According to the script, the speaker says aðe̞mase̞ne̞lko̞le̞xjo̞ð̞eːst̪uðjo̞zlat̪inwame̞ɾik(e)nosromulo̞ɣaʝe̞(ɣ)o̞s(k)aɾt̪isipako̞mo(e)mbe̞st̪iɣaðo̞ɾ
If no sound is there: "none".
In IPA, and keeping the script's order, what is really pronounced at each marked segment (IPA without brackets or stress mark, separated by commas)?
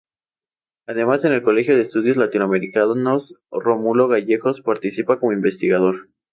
a, x, p, i